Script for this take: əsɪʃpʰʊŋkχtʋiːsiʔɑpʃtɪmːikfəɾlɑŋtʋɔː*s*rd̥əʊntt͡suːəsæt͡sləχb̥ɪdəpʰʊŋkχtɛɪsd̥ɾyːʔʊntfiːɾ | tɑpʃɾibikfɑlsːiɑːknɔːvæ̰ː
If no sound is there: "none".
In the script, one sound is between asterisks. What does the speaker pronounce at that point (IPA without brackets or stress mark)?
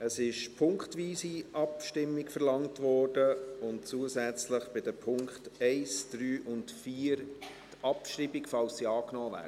none